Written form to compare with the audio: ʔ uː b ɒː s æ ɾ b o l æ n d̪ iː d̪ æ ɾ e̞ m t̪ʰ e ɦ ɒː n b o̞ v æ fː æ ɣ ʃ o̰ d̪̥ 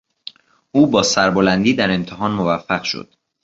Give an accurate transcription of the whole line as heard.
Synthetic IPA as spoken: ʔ uː b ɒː s æ ɾ b o l æ n d̪ iː d̪ æ ɾ e̞ m t̪ʰ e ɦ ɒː n m o̞ v æ fː æ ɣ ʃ o̰ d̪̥